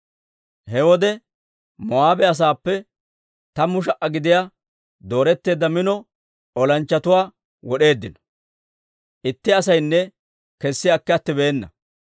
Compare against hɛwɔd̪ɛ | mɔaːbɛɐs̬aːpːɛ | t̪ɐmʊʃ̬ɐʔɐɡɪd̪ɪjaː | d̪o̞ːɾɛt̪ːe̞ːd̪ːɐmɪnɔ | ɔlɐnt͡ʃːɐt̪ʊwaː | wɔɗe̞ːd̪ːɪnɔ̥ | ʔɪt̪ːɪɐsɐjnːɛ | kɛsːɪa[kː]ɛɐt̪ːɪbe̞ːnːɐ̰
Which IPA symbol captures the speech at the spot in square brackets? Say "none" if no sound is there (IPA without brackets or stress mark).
kː